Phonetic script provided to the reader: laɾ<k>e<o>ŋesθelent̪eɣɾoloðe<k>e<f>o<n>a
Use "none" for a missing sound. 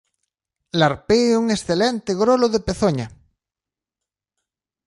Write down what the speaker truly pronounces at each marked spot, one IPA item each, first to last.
p, u, p, θ, ɲ

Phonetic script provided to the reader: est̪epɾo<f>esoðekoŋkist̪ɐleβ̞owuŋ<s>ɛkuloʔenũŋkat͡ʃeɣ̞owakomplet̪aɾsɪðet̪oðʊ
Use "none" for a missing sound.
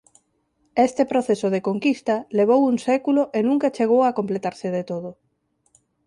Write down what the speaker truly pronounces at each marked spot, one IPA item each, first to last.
θ, s

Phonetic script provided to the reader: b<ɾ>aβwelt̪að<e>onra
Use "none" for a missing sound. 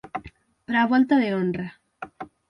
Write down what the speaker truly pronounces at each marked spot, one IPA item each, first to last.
ɾ, e

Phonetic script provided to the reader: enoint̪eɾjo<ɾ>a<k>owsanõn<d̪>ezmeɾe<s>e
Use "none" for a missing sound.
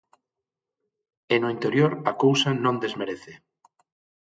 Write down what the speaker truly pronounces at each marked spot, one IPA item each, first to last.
ɾ, k, d̪, θ

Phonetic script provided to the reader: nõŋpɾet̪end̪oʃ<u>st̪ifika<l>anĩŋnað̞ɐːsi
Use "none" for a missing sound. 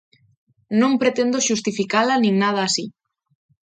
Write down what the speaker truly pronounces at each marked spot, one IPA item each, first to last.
u, l

